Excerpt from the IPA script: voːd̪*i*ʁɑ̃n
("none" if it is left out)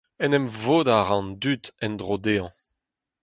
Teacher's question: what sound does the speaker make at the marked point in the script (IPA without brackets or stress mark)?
a